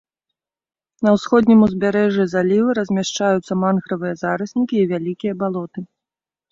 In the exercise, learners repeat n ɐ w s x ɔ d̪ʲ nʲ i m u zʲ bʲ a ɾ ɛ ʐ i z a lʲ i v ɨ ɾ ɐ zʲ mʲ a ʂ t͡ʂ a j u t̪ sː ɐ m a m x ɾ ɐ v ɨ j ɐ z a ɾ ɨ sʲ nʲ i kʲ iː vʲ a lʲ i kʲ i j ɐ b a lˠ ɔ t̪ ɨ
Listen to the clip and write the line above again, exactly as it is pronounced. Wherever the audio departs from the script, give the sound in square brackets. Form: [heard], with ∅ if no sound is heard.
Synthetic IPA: n ɐ w s x ɔ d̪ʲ nʲ i m u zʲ bʲ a ɾ ɛ ʐ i z a lʲ i v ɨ ɾ ɐ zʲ mʲ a ʂ t͡ʂ a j u t̪ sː ɐ m a [n] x ɾ ɐ v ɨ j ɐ z a ɾ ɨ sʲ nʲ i kʲ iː vʲ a lʲ i kʲ i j ɐ b a lˠ ɔ t̪ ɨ